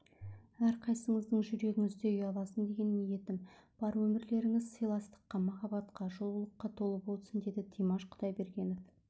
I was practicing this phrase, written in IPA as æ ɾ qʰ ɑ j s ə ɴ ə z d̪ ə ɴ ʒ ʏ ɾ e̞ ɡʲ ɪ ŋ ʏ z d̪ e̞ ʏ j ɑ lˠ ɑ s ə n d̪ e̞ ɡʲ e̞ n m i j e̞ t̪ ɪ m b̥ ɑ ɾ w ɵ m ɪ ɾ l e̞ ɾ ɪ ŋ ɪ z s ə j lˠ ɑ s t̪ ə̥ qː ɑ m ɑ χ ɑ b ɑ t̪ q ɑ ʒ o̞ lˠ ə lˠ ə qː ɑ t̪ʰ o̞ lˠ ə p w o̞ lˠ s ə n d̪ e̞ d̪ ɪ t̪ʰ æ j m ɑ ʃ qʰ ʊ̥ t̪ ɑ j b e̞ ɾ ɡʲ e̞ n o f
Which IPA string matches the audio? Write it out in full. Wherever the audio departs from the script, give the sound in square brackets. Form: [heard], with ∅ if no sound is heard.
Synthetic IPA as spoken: æ ɾ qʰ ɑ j s ə ɴ ə z d̪ ə ɴ ʒ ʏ ɾ e̞ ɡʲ ɪ ŋ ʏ z d̪ e̞ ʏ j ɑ lˠ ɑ s ə n d̪ e̞ ɡʲ e̞ n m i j e̞ t̪ ɪ m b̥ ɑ ɾ w ɵ m ɪ ɾ l e̞ ɾ ɪ ŋ ɪ z s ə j lˠ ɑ s t̪ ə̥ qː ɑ m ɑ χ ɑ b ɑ t̪ q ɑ ʒ o̞ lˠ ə lˠ ə qː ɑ t̪ʰ o̞ lˠ ə p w o̞ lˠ s ə n d̪ e̞ d̪ ɪ t̪ʰ [i] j m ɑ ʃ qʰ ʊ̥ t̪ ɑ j b e̞ ɾ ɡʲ e̞ n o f